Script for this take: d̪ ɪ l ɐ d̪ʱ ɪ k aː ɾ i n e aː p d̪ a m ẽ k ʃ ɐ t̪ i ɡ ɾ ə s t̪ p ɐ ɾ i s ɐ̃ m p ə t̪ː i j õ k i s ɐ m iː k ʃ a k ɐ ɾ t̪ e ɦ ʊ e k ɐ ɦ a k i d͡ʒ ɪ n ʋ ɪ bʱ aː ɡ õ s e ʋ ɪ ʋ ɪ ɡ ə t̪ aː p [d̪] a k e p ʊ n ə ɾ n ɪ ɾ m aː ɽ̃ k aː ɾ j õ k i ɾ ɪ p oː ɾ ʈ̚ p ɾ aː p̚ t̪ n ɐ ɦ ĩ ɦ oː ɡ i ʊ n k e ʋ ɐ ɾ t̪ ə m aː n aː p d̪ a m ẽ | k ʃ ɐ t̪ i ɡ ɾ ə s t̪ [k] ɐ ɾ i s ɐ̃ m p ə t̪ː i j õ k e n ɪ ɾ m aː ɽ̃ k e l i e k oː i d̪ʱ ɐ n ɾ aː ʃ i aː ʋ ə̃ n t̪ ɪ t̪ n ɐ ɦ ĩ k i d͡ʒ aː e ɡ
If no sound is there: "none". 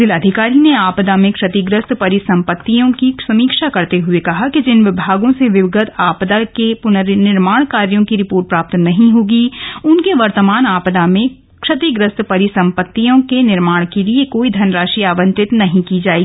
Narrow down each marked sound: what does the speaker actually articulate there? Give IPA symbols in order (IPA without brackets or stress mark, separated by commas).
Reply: d̪, p